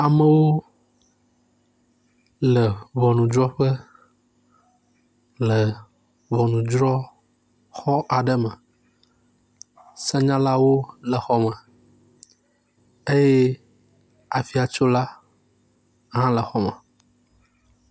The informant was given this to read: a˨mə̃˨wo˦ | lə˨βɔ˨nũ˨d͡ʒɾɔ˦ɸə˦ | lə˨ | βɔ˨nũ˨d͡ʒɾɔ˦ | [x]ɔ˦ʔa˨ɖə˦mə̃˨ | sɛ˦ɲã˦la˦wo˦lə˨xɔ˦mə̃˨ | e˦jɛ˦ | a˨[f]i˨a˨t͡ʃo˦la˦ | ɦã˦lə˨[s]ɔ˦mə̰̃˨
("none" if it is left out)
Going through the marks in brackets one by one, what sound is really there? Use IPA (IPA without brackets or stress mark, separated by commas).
x, f, x